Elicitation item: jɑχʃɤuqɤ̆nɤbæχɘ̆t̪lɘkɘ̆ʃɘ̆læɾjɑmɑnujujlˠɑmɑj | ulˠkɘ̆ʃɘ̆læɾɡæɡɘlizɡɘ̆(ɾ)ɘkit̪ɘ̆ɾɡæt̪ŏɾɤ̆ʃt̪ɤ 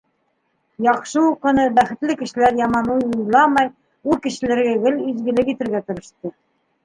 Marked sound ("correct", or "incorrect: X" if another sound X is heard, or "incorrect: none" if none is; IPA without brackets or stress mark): incorrect: l